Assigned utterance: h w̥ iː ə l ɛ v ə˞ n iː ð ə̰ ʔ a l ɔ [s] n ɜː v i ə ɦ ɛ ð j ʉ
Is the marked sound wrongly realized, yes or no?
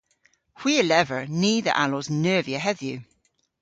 yes